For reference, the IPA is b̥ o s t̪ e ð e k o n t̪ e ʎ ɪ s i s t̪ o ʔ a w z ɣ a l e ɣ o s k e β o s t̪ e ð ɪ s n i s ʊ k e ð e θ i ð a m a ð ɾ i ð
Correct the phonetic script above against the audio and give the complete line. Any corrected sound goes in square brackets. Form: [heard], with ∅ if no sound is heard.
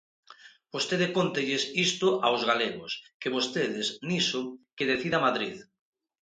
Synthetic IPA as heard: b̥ o s t̪ e ð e k o n t̪ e ʎ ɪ s i s t̪ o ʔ a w z ɣ a l e ɣ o s k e β o s t̪ e ð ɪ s n i s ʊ k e ð e θ i ð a m a ð ɾ i ð